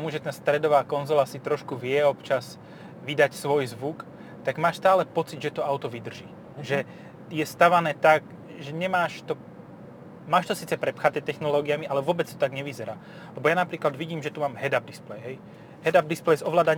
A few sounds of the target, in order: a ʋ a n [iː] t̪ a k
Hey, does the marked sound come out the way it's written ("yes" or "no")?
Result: no